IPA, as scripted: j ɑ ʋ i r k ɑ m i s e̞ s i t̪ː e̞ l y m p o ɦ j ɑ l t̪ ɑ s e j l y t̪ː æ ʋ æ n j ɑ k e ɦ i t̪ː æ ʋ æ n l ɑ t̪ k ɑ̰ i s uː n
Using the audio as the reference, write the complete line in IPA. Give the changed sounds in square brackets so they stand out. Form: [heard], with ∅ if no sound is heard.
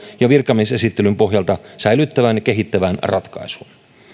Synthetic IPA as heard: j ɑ ʋ i r k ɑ m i s e̞ s i t̪ː e̞ l y m p o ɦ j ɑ l t̪ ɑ s [æ] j l y t̪ː æ ʋ æ n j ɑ k e ɦ i t̪ː æ ʋ æ n [r] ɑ t̪ k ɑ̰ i s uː n